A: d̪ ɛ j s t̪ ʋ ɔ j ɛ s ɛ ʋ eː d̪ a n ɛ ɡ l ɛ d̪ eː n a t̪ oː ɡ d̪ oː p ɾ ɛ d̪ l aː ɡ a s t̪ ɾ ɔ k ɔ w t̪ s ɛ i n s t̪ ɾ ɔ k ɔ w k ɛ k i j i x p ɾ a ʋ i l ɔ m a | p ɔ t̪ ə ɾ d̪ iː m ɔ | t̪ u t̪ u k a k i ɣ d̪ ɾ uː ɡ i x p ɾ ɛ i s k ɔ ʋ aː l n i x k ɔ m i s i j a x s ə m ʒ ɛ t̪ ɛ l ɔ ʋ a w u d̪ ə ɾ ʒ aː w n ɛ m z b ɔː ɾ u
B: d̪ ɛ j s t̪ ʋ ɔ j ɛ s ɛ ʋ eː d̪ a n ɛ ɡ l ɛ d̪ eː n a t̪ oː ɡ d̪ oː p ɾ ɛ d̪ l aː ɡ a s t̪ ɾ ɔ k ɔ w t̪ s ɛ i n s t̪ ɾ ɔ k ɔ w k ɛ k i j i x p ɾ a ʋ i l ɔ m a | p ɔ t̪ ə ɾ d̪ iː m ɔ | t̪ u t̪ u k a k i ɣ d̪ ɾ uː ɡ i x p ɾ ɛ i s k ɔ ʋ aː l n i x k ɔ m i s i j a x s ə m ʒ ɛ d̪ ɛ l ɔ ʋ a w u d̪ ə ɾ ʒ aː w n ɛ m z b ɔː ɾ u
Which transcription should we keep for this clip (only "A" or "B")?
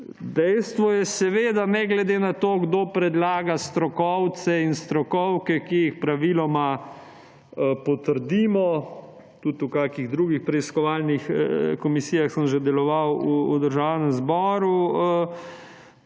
B